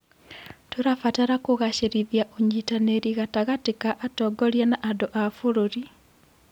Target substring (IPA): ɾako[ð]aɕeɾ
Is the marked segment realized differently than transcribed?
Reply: yes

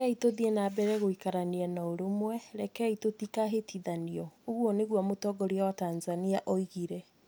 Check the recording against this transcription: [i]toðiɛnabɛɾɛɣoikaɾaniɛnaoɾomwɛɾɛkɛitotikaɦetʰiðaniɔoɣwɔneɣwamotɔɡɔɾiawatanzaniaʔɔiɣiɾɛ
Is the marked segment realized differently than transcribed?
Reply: no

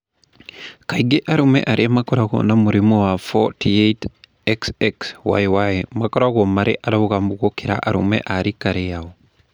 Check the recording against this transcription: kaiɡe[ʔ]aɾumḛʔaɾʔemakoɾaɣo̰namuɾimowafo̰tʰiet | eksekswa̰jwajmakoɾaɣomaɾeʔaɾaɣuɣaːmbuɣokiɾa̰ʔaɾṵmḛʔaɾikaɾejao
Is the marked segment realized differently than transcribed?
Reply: no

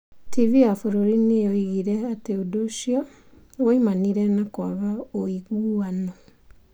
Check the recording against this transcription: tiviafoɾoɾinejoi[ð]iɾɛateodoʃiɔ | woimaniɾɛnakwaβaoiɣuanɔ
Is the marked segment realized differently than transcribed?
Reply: yes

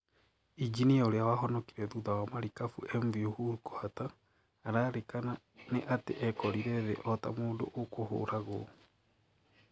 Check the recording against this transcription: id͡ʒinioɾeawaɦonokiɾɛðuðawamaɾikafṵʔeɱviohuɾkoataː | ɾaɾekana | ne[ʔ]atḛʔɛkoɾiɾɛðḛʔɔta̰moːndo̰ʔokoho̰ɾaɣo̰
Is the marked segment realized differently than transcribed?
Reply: no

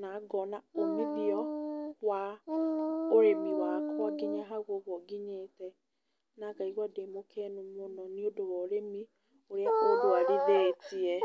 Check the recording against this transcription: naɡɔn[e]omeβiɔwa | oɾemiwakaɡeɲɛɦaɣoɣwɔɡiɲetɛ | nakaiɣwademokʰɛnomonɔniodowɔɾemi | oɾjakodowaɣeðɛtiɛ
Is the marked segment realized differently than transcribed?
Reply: yes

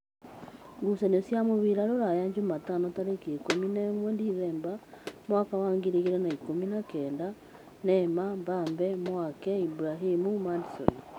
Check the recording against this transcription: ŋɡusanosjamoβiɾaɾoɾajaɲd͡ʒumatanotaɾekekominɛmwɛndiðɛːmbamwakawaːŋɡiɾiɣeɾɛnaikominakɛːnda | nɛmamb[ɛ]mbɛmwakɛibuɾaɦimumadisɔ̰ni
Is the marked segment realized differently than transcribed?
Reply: yes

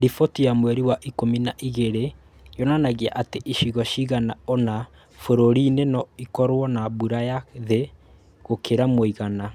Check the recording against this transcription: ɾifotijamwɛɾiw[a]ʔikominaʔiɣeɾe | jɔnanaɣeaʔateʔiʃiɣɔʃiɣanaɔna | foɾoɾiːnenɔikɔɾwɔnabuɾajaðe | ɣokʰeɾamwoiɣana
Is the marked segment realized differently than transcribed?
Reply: no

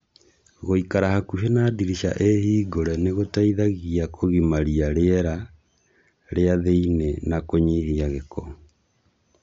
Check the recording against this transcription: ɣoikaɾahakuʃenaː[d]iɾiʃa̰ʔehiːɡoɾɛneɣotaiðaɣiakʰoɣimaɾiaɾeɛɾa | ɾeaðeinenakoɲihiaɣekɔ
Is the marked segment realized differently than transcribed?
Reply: no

